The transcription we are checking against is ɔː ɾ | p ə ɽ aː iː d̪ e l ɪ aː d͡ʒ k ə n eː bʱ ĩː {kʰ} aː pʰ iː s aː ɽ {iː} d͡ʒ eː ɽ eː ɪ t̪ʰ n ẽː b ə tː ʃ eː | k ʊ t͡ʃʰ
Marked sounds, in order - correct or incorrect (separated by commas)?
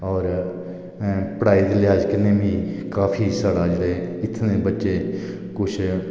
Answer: incorrect, incorrect